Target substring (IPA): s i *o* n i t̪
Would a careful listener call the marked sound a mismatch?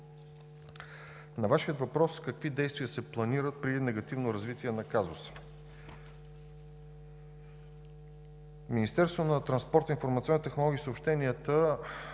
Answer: yes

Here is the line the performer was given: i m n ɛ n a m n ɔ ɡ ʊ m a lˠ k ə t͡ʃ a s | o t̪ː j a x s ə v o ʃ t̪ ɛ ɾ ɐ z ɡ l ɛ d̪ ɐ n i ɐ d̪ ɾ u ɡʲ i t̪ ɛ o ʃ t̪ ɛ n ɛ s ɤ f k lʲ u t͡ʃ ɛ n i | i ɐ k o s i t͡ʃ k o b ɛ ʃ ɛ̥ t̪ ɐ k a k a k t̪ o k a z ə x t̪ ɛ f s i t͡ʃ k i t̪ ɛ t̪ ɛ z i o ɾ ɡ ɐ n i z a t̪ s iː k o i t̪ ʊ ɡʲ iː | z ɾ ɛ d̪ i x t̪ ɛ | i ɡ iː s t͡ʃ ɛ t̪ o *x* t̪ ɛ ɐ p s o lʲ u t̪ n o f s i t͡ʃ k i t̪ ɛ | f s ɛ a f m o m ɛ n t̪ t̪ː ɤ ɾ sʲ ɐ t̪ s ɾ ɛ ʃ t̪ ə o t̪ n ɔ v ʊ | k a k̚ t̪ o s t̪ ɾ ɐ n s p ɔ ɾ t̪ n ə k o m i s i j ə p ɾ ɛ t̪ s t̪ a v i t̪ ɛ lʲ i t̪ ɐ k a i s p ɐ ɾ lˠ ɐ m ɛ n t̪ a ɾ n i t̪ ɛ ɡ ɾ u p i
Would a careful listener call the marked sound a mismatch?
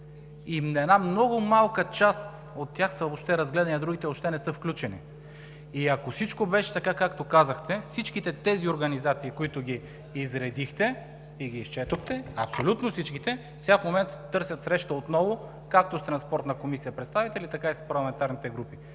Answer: no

